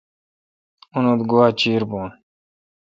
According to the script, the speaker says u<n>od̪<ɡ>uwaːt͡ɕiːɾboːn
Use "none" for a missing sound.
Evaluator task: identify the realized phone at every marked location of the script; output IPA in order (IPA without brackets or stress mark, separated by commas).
n, ɡ